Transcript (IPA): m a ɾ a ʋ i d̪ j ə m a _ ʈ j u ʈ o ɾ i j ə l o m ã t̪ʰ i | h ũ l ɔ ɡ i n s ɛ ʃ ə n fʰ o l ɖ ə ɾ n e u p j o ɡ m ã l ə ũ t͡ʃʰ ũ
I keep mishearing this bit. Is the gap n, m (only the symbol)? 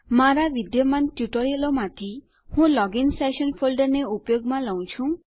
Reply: n